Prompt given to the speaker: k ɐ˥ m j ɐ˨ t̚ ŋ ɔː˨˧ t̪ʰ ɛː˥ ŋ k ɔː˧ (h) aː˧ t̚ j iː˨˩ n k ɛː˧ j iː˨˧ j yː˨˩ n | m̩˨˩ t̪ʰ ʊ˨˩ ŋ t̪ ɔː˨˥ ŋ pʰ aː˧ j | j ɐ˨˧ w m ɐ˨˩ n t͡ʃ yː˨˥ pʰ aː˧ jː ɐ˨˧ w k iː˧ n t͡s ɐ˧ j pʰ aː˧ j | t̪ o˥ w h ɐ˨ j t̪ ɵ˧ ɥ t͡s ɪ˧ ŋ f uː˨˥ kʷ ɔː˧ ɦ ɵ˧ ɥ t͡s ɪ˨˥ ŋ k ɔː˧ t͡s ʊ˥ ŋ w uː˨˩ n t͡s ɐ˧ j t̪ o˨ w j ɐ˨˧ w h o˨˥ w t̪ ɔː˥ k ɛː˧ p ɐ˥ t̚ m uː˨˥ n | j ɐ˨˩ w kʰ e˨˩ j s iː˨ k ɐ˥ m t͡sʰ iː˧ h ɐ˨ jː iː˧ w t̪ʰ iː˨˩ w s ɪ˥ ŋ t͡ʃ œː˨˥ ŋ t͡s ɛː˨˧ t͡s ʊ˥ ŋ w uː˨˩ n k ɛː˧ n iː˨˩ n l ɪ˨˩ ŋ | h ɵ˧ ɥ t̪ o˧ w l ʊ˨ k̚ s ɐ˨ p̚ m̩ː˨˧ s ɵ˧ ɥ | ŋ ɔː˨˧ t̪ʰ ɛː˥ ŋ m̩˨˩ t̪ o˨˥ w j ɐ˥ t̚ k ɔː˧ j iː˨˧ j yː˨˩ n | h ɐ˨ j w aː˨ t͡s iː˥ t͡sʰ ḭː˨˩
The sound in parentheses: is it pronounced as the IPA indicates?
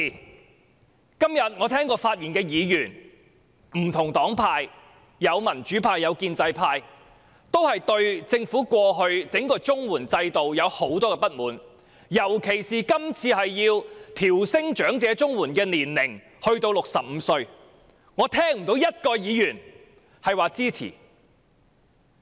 no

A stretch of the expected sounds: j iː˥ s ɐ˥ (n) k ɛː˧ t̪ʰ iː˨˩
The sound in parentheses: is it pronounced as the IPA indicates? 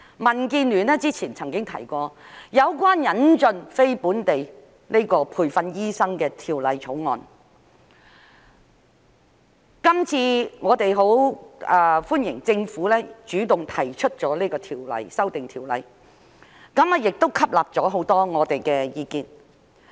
no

